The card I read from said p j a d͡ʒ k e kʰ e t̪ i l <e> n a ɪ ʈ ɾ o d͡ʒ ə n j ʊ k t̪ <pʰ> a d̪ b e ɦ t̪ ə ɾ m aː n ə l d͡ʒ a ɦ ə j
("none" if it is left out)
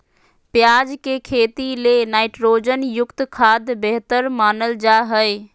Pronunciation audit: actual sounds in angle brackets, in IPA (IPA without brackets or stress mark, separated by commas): e, kʰ